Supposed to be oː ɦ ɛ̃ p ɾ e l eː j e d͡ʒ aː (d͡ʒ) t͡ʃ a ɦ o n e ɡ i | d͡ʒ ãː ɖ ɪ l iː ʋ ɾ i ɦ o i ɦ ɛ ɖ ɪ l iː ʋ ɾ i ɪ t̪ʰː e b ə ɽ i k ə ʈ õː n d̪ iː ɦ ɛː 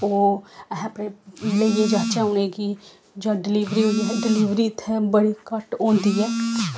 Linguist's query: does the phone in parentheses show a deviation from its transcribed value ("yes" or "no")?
yes